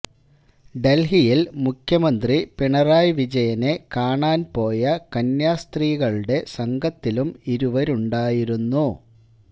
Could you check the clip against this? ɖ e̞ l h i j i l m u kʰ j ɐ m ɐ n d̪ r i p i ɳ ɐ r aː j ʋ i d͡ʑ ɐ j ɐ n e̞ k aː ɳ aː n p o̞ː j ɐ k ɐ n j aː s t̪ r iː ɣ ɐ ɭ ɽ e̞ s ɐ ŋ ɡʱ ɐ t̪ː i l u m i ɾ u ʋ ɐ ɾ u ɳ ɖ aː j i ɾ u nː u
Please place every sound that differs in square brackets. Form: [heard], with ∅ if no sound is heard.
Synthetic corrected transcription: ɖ e̞ l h i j i l m u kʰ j ɐ m ɐ n d̪ r i p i ɳ ɐ r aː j ʋ i d͡ʑ ɐ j ɐ n e̞ k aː ɳ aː n p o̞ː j ɐ k ɐ n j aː s t̪ r iː ɣ ɐ ɭ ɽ e̞ s ɐ ŋ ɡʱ ɐ t̪ː i l u m i ɾ u ʋ ɐ ɾ u ɳ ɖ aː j i ɾ u nː u

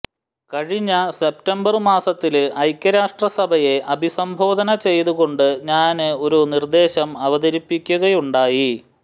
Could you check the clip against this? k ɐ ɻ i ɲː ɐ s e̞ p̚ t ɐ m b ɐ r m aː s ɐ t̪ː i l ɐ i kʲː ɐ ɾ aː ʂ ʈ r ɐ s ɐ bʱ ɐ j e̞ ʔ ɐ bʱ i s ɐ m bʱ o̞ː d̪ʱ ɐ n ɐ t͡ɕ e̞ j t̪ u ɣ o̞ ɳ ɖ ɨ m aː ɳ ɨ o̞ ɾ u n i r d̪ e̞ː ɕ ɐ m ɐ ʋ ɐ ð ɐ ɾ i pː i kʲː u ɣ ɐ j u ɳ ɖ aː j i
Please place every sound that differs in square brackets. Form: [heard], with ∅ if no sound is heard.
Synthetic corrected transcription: k ɐ ɻ i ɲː ɐ s e̞ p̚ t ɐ m b ɐ r m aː s ɐ t̪ː i l ɐ [j] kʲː ɐ ɾ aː ʂ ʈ r ɐ s ɐ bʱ ɐ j e̞ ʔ ɐ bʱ i s ɐ m bʱ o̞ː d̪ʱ ɐ n ɐ t͡ɕ e̞ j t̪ u ɣ o̞ ɳ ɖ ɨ [ɲ] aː [n] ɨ o̞ ɾ u n i r d̪ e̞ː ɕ ɐ m ɐ ʋ ɐ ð ɐ ɾ i pː i kʲː u ɣ ɐ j u ɳ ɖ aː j i

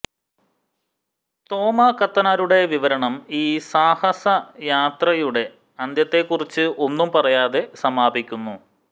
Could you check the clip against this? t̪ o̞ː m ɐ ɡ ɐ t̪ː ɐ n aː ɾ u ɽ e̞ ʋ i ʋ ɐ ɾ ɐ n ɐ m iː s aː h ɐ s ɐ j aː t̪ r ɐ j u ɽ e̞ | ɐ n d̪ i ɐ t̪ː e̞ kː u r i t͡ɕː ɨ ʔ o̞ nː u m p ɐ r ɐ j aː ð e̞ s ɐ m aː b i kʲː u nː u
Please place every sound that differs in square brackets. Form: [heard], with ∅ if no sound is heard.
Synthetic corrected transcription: t̪ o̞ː m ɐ [k] ɐ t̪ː ɐ n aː ɾ u ɽ e̞ ʋ i ʋ ɐ ɾ ɐ [ɳ] ɐ m iː s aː h ɐ s ɐ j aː t̪ r ɐ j u ɽ e̞ | ɐ n d̪ [j] ɐ t̪ː e̞ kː u r i t͡ɕː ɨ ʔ o̞ nː u m p ɐ r ɐ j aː ð e̞ s ɐ m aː b i kʲː u nː u

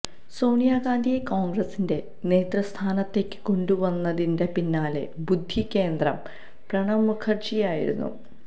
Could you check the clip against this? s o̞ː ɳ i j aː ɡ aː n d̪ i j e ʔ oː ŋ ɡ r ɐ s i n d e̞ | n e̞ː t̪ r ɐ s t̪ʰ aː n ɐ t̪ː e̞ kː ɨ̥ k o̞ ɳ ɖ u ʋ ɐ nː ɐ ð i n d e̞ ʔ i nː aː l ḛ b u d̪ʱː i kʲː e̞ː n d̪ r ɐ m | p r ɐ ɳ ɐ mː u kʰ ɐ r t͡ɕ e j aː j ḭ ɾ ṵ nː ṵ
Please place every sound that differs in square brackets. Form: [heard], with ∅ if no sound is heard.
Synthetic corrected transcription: s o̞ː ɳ i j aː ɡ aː n d̪ i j e [k] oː ŋ ɡ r ɐ s i n d e̞ | n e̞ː t̪ r ɐ s t̪ʰ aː n ɐ t̪ː e̞ kː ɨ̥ k o̞ ɳ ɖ u ʋ ɐ nː ɐ ð i n d e̞ [p] i nː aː l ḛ b u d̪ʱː i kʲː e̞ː n d̪ r ɐ m | p r ɐ ɳ ɐ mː u kʰ ɐ r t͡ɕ [i] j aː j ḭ ɾ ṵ nː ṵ

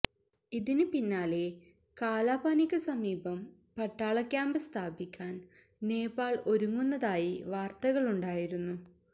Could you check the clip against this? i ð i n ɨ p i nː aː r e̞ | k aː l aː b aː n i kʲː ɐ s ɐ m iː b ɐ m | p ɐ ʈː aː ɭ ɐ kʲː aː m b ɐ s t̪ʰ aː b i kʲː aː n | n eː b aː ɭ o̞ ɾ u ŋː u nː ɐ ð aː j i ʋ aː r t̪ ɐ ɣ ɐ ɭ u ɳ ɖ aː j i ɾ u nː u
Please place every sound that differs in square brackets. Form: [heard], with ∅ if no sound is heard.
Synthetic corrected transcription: i ð i n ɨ p i nː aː [l] e̞ | k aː l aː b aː n i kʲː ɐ s ɐ m iː b ɐ m | p ɐ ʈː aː ɭ ɐ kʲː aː m b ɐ s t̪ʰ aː b i kʲː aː n | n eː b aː ɭ o̞ ɾ u ŋː u nː ɐ ð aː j i ʋ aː r t̪ ɐ ɣ ɐ ɭ u ɳ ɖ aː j i ɾ u nː u

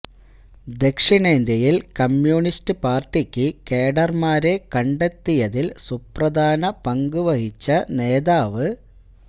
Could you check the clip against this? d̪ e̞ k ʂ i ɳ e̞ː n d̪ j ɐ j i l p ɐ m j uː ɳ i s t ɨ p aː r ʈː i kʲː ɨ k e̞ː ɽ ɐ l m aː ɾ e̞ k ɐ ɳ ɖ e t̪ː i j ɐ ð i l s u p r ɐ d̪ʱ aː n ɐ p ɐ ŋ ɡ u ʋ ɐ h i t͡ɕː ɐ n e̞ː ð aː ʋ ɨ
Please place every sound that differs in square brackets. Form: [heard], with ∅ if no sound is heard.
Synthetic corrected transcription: d̪ e̞ k ʂ i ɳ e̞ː n d̪ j ɐ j i l [k] ɐ m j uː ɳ i s t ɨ p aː r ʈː i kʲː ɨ k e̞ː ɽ ɐ [r] m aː ɾ e̞ k ɐ ɳ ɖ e t̪ː i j ɐ ð i l s u p r ɐ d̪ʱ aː n ɐ p ɐ ŋ ɡ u ʋ ɐ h i t͡ɕː ɐ n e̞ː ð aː ʋ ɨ

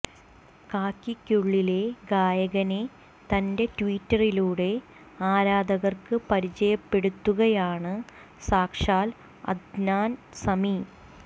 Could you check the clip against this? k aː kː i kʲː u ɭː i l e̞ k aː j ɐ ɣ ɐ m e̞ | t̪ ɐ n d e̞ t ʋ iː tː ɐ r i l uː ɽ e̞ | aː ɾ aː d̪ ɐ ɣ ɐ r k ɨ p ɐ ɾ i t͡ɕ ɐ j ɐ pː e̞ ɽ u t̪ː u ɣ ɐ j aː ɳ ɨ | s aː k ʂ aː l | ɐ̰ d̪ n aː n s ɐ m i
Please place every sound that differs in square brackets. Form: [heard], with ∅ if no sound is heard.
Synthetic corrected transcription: k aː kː i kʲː u ɭː i l e̞ [ɡ] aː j ɐ ɣ ɐ [n] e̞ | t̪ ɐ n d e̞ t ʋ iː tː ɐ r i l uː ɽ e̞ | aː ɾ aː d̪ ɐ ɣ ɐ r k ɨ p ɐ ɾ i t͡ɕ ɐ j ɐ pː e̞ ɽ u t̪ː u ɣ ɐ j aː ɳ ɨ | s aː k ʂ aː l | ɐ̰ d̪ n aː n s ɐ m i

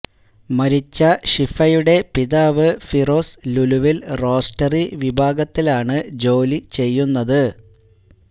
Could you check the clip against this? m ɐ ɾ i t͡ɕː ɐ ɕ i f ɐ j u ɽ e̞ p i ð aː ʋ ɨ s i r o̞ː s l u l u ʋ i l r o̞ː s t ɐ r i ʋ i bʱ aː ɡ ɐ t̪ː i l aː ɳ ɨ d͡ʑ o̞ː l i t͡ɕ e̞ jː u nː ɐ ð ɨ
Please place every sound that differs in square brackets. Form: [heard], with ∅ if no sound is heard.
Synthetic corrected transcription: m ɐ ɾ i t͡ɕː ɐ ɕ i f ɐ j u ɽ e̞ p i ð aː ʋ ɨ [f] i r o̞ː s l u l u ʋ i l r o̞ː s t ɐ r i ʋ i bʱ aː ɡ ɐ t̪ː i l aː ɳ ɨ d͡ʑ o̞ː l i t͡ɕ e̞ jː u nː ɐ ð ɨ

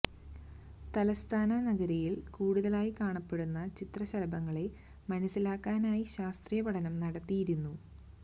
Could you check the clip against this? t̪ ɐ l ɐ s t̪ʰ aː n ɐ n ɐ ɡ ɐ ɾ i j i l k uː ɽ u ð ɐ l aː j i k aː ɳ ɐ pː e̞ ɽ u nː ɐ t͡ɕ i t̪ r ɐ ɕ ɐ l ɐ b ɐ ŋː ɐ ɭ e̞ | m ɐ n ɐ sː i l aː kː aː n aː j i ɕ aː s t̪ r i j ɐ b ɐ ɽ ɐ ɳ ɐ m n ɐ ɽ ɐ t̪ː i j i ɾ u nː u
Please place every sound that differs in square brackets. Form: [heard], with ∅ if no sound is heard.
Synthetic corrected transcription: t̪ ɐ l ɐ s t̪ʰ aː n ɐ n ɐ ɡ ɐ ɾ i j i l k uː ɽ u ð ɐ l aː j i k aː ɳ ɐ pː e̞ ɽ u nː ɐ t͡ɕ i t̪ r ɐ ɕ ɐ l ɐ b ɐ ŋː ɐ ɭ e̞ | m ɐ n ɐ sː i l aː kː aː n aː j i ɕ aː s t̪ r i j ɐ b ɐ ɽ ɐ [n] ɐ m n ɐ ɽ ɐ t̪ː i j i ɾ u nː u

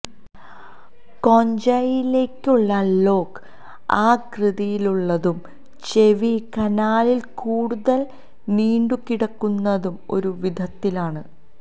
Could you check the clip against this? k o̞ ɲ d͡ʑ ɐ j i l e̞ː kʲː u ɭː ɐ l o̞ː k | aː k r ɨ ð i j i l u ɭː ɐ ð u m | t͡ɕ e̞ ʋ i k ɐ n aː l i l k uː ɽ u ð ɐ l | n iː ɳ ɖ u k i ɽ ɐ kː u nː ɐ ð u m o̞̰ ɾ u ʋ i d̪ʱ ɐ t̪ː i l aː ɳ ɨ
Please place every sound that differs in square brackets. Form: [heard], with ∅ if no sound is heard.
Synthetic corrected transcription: k o̞ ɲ d͡ʑ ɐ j i l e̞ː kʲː u ɭː ɐ l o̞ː k | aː k r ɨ ð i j i l u ɭː ɐ ð u m | t͡ɕ e̞ ʋ i k ɐ n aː l i l k uː ɽ u ð ɐ l | n iː ɳ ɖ u k i ɽ ɐ kː u nː ɐ ð u m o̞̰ ɾ u ʋ i d̪ʱ ɐ t̪ː i l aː ɳ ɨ

